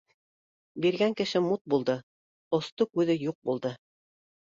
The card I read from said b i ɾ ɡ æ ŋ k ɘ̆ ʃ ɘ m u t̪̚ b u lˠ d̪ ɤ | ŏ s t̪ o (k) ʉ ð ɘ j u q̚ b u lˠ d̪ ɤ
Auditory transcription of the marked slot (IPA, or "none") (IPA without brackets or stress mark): k